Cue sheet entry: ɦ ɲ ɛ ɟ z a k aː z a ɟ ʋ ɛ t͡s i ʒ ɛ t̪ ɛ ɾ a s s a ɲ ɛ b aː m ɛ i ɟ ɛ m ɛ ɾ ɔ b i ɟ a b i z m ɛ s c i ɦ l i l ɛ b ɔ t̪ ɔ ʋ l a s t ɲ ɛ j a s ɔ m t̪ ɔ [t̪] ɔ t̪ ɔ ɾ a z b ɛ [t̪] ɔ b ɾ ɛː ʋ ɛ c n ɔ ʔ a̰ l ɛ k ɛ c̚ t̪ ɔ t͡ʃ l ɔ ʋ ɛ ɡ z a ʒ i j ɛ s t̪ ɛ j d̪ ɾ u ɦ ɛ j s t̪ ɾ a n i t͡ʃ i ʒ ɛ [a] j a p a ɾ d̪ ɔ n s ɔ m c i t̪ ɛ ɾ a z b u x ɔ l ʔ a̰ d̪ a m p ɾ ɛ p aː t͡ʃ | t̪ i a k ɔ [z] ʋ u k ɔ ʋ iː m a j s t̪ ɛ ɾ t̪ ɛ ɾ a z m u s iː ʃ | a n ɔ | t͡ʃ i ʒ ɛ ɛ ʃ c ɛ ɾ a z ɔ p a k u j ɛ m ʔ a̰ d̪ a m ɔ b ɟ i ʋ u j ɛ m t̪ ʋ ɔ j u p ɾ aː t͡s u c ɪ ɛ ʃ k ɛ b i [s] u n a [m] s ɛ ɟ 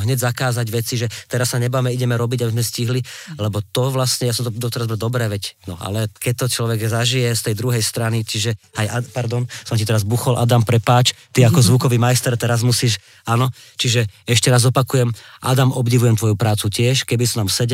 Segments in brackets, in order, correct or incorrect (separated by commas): incorrect, incorrect, correct, correct, correct, correct